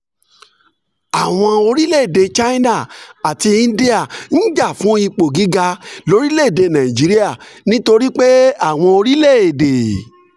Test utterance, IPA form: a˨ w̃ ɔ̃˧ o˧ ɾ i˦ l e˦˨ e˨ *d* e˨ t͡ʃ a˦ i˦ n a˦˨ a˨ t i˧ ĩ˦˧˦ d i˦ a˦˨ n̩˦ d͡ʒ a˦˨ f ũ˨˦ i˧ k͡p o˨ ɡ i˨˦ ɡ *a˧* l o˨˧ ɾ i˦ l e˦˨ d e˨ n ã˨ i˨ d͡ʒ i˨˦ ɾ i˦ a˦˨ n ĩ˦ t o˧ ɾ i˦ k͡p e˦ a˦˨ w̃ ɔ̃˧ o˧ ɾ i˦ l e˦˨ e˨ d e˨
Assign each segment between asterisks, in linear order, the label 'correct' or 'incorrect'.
correct, correct

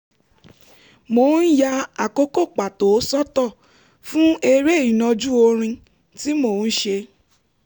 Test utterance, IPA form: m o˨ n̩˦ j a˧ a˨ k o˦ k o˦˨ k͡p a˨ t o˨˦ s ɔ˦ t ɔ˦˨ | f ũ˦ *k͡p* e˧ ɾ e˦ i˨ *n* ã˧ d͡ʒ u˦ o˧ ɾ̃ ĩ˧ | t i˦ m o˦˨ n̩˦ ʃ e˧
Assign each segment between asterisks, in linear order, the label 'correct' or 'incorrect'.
incorrect, correct

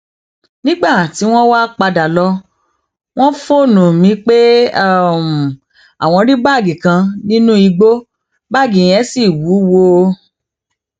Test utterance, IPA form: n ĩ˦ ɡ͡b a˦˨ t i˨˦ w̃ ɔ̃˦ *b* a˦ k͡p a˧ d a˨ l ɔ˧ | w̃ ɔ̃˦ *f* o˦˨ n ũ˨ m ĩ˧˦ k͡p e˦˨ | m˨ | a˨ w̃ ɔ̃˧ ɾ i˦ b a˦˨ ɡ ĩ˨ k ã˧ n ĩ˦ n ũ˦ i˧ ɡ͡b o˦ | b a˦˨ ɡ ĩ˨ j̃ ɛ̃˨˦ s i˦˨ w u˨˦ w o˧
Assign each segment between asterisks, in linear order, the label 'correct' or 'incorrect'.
incorrect, correct

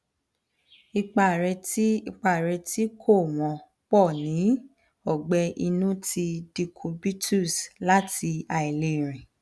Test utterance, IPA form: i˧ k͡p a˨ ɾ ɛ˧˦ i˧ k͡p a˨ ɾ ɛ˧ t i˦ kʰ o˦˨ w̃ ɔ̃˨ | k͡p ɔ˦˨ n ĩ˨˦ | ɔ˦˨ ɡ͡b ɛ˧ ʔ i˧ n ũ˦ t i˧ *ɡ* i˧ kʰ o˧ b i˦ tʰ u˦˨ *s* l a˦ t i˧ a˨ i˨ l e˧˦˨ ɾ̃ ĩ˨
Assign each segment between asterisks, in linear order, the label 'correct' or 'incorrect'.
incorrect, correct

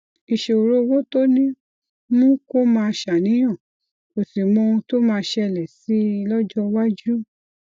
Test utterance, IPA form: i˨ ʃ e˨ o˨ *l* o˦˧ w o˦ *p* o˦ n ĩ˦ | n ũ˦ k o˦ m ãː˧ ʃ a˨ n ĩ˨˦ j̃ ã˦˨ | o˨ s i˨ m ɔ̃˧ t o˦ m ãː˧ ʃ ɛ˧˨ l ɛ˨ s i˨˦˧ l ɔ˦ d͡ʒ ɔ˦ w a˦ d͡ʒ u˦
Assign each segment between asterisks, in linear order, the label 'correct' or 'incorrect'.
incorrect, incorrect

